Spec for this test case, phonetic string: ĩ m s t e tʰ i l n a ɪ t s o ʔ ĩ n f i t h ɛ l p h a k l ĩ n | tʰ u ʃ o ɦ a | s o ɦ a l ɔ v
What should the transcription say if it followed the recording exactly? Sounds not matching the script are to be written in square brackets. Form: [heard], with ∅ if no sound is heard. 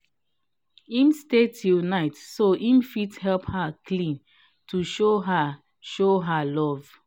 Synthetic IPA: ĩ m s t e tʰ i l n a ɪ t s o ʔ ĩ [m] f i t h ɛ l p h a k l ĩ n | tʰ u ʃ o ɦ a | [ʃ] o ɦ a l ɔ v